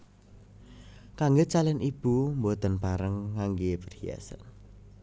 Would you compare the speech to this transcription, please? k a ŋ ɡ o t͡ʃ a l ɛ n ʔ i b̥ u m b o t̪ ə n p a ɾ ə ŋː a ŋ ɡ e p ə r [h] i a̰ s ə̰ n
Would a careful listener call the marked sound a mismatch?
no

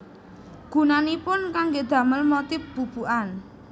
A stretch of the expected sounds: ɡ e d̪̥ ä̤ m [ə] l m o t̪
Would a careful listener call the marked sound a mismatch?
no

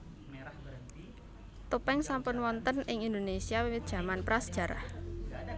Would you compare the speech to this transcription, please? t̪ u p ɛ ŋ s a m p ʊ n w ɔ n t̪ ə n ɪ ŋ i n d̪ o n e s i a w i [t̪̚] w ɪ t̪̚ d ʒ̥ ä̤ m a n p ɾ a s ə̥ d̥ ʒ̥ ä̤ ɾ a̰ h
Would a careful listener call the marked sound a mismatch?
yes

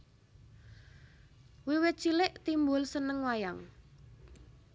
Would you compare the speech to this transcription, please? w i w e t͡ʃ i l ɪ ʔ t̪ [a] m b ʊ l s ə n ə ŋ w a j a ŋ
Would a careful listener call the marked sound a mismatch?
yes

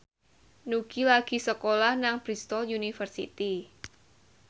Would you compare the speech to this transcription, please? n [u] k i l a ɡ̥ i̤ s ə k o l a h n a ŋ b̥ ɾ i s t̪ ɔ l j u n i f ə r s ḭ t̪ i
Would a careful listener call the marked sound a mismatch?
no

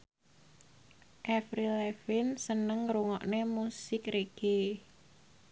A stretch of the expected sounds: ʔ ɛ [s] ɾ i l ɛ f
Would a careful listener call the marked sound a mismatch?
yes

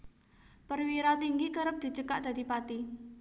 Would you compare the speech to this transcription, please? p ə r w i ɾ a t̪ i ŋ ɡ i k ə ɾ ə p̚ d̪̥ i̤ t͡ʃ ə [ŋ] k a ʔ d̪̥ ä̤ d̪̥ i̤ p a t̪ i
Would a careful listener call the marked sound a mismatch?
yes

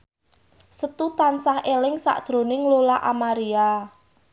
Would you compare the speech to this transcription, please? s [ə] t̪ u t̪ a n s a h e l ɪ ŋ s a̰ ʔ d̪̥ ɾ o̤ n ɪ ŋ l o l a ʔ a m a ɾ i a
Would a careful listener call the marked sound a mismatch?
no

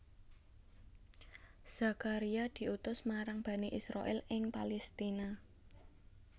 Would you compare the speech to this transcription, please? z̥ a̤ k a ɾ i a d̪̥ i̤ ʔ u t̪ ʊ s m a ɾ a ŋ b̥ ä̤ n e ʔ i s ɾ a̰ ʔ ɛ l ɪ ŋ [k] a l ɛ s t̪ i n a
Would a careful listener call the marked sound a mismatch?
yes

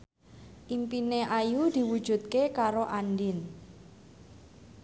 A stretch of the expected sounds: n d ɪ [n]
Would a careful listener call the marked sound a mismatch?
no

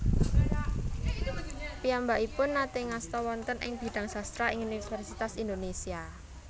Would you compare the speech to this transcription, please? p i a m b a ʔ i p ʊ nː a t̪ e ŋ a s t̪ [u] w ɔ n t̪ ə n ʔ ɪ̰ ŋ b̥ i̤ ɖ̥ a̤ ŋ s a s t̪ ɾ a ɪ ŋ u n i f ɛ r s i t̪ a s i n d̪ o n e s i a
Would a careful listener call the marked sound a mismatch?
yes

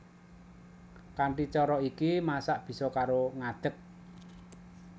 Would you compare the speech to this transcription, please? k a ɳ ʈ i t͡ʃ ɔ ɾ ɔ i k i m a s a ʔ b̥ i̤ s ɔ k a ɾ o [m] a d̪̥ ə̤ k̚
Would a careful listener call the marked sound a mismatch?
yes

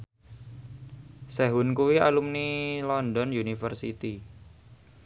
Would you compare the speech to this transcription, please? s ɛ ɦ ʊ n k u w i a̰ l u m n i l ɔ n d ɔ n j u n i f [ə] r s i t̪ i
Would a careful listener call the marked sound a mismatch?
no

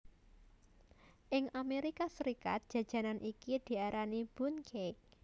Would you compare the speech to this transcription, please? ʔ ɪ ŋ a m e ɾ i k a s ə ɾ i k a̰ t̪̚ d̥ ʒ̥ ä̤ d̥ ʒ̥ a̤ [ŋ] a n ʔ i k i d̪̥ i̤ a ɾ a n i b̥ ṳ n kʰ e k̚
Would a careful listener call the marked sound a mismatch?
yes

